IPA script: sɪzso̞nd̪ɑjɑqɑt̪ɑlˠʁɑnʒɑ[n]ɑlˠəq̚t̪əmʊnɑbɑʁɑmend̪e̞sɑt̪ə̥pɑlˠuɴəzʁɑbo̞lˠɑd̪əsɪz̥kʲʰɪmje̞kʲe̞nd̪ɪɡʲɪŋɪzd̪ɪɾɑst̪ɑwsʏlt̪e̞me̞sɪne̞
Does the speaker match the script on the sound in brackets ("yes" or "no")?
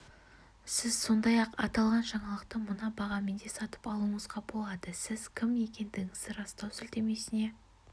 no